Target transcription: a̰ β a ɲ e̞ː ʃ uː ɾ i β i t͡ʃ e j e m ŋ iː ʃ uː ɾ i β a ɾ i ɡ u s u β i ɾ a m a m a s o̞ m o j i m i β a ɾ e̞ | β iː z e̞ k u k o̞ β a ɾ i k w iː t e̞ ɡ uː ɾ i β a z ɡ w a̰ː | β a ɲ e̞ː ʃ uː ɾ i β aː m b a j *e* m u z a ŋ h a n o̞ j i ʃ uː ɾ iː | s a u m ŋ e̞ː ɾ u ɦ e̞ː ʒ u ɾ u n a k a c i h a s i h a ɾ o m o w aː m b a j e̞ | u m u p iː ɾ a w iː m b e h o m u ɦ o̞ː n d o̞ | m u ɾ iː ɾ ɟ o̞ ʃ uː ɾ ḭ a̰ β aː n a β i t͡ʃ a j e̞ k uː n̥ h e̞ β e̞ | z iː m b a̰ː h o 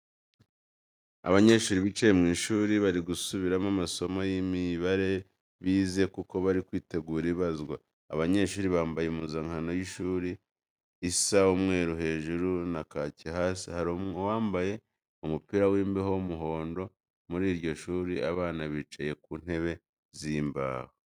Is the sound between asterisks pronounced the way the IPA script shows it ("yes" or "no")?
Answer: yes